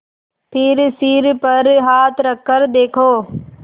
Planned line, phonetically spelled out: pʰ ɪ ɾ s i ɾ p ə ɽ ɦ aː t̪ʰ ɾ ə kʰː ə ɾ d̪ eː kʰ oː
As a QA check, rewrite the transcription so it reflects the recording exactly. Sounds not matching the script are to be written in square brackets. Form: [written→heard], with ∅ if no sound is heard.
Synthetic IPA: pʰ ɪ ɾ s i ɾ p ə [ɽ→ɾ] ɦ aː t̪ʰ ɾ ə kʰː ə ɾ d̪ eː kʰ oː

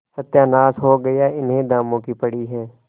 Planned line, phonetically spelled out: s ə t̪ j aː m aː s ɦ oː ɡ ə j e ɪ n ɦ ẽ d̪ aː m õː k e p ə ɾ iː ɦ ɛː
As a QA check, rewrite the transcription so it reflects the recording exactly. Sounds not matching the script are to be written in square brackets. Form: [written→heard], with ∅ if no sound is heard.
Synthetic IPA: s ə t̪ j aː [m→n] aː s ɦ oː ɡ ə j [e→a] ɪ n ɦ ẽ d̪ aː m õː k [e→i] p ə [ɾ→ɽ] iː ɦ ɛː

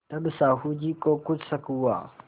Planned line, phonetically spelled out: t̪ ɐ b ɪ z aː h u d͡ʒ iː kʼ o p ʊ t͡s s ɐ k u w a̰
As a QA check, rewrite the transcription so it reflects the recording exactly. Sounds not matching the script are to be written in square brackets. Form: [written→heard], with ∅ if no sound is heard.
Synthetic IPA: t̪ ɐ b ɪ [z→s] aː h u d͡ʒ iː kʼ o [p→k] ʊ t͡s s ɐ k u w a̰

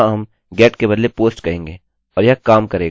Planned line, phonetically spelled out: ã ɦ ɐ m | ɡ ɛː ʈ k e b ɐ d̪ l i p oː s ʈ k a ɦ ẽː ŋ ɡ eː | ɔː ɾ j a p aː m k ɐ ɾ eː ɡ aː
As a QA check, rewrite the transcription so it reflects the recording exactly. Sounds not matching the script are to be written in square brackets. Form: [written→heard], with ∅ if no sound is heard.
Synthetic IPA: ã ɦ ɐ m | ɡ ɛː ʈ k e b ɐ d̪ l [i→e] p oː s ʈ k [a→ɐ] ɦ ẽː ŋ ɡ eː | ɔː ɾ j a [p→k] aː m k ɐ ɾ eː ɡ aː

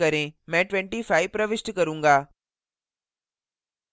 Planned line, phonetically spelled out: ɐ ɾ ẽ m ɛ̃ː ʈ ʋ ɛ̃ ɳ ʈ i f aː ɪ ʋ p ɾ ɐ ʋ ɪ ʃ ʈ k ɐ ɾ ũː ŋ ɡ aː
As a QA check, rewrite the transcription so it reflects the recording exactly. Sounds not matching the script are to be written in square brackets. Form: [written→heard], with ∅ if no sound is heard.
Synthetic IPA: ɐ ɾ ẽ m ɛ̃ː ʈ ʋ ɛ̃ ɳ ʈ i f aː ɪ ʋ p ɾ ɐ ʋ ɪ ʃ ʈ k ɐ ɾ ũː ŋ ɡ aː

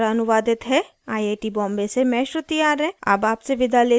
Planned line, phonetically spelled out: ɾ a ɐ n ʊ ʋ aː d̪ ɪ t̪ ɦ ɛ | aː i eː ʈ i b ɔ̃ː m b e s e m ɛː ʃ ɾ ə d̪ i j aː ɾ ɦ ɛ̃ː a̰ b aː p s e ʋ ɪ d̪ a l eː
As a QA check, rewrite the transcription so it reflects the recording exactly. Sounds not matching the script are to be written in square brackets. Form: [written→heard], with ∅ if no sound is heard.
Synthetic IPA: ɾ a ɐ n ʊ ʋ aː d̪ ɪ t̪ ɦ ɛ | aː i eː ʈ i b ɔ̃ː m b e s e m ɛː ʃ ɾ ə [d̪→t̪] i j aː ɾ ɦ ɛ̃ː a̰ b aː p s e ʋ ɪ d̪ a l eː

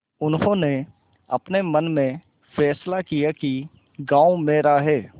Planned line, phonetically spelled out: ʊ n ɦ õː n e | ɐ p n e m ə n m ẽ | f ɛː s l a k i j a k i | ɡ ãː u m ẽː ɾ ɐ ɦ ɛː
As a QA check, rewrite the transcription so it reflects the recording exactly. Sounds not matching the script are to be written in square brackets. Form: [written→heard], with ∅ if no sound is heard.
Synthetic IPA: ʊ n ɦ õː n e | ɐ p n e m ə n m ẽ | f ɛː s l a k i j a k i | ɡ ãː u m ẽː ɾ [ɐ→a] ɦ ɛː

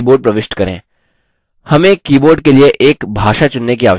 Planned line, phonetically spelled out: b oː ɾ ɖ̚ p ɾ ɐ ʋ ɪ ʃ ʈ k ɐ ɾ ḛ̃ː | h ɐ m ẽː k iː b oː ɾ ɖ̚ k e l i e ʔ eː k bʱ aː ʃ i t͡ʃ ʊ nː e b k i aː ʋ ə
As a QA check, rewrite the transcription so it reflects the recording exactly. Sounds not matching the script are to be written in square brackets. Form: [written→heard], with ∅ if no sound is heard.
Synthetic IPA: b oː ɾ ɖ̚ p ɾ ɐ ʋ ɪ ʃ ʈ k ɐ ɾ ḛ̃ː | h ɐ m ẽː k iː b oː ɾ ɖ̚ k e l i e ʔ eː k bʱ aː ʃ [i→a] t͡ʃ ʊ nː e [b→∅] k i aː ʋ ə

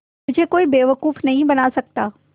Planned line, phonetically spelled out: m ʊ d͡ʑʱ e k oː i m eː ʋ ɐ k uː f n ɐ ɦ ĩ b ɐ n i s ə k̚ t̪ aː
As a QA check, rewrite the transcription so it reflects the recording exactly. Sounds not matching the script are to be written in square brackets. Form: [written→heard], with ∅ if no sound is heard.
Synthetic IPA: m ʊ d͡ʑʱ e k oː i [m→b] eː ʋ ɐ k uː f n ɐ ɦ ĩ b ɐ n [i→a] s [ə→ɐ] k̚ t̪ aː

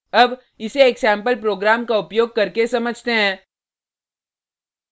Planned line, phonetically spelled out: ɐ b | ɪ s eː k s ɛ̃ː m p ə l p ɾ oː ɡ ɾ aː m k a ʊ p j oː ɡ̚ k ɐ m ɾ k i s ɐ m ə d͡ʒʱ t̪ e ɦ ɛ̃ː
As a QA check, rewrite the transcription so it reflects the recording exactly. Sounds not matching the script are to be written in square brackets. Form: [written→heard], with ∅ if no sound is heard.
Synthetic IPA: ɐ b | ɪ s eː k s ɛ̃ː m p ə l p ɾ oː ɡ ɾ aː m k a ʊ p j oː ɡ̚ k ɐ [m→∅] ɾ k [i→e] s ɐ m ə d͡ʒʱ t̪ e ɦ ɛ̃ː

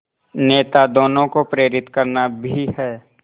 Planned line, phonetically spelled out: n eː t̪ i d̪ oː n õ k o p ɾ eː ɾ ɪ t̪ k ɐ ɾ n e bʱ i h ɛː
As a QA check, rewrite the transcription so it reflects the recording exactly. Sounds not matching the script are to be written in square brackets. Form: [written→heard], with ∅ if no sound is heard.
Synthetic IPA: n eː t̪ [i→a] d̪ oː n õ k o p ɾ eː ɾ ɪ t̪ k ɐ ɾ n [e→a] bʱ i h ɛː

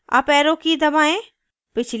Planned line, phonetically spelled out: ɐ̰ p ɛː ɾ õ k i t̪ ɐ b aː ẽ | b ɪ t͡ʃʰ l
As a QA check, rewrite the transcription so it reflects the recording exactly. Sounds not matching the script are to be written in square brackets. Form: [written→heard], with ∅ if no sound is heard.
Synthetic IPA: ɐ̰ p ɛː ɾ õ k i [t̪→d̪] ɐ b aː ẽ | [b→p] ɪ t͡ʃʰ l

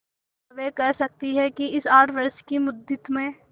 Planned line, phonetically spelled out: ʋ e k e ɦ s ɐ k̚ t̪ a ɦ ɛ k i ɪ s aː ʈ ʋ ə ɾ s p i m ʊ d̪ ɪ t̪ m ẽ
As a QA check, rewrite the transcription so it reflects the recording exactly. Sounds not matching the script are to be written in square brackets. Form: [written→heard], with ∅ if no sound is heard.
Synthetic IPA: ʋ e k [e→ɛ] ɦ s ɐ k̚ t̪ [a→i] ɦ ɛ k i ɪ s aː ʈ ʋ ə ɾ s [p→k] i m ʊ d̪ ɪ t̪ m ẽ

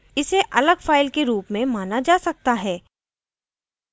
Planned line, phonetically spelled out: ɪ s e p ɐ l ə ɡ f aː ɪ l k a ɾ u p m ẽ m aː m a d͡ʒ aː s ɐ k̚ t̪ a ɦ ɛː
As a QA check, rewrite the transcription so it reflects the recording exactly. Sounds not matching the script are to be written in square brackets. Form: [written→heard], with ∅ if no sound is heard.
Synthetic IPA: ɪ s e [p→ʔ] ɐ l ə ɡ f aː ɪ l k [a→e] ɾ [u→uː] p m ẽ m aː [m→n] a d͡ʒ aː s ɐ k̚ t̪ a ɦ ɛː

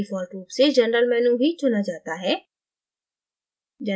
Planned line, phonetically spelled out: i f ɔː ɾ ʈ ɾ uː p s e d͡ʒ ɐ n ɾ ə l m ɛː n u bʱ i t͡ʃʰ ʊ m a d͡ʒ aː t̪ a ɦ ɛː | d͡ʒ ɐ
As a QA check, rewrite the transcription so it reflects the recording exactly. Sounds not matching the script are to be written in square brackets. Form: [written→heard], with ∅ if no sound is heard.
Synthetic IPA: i f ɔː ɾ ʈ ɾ uː p s e d͡ʒ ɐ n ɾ ə l m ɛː n u bʱ i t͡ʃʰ ʊ [m→n] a d͡ʒ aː t̪ a ɦ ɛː | d͡ʒ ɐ

